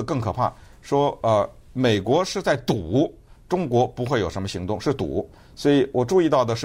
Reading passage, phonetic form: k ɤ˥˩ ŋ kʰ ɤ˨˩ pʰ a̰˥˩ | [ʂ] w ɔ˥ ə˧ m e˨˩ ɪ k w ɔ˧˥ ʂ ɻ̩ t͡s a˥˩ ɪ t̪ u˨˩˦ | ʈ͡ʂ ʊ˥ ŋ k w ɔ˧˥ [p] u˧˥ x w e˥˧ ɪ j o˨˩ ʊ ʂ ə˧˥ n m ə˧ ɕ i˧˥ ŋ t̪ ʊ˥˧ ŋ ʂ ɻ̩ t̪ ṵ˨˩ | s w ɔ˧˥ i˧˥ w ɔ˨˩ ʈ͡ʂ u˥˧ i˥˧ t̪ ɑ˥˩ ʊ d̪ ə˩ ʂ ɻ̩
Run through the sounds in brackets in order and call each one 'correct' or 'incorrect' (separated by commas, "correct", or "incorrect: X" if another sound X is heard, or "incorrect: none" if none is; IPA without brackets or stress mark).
correct, correct